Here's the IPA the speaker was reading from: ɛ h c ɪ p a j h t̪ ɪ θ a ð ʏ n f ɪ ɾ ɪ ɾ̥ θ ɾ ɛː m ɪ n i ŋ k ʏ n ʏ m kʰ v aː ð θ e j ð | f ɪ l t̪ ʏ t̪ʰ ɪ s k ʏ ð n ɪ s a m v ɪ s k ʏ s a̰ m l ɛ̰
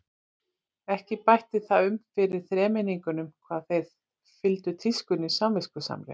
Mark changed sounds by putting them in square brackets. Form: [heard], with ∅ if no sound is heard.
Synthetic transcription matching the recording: ɛ h c ɪ p a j h t̪ ɪ θ a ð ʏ [m] f ɪ ɾ ɪ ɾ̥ θ ɾ ɛː m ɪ n i ŋ k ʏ n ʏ m kʰ v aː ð θ e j ð | f ɪ l t̪ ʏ t̪ʰ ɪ s k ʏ [∅] n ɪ s a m v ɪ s k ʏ s a̰ m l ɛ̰